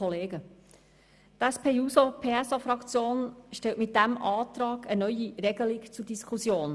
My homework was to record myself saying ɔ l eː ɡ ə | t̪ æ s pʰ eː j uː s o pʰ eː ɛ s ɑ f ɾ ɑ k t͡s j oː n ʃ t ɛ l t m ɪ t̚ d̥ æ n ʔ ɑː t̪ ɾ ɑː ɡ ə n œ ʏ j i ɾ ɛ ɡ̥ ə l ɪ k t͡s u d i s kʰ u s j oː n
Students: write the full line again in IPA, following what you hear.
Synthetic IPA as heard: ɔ l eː ɡ ə | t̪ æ s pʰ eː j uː s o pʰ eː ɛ s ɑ f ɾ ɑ k t͡s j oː n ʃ t ɛ l t m ɪ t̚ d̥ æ m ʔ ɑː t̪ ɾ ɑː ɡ ə n œ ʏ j i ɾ ɛ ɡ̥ ə l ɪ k t͡s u d i s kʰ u s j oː n